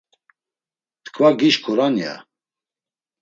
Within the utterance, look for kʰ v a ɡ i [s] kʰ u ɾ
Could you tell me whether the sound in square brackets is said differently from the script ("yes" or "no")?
yes